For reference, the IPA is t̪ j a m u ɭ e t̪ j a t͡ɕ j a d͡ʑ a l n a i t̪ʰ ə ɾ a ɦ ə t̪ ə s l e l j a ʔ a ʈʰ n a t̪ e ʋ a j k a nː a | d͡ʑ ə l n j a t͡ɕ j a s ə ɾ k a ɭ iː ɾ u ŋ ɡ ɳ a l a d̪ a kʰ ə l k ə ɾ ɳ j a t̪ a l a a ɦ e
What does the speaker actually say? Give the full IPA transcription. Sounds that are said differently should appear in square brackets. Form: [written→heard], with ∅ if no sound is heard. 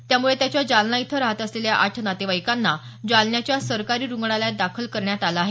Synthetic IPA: t̪ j a m u ɭ e t̪ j a t͡ɕ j a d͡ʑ a l n a i t̪ʰ ə ɾ a ɦ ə t̪ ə s l e l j a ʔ a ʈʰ n a t̪ e ʋ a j k a nː a | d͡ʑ [ə→a] l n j a t͡ɕ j a s ə ɾ k a [ɭ→ɾ] iː ɾ u ŋ ɡ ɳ a l a d̪ a kʰ ə l k ə ɾ ɳ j a t̪ a l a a ɦ e